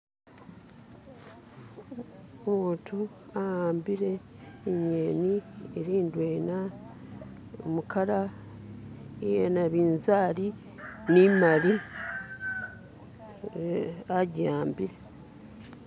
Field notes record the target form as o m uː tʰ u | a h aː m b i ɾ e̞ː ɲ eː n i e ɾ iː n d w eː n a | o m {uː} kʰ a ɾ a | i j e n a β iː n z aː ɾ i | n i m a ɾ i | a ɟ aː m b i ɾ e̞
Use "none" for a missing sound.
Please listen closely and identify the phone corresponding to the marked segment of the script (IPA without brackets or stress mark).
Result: u